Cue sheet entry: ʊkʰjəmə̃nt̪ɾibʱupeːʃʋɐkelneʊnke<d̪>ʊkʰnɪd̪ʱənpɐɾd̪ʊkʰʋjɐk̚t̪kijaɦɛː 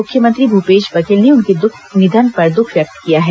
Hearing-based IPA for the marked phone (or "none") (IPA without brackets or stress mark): d̪